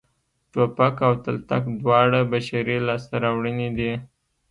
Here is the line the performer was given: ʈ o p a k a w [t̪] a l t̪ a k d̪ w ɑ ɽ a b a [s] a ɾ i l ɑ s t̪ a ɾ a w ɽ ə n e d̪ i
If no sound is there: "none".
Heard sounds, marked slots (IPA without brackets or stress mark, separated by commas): t̪, ʃ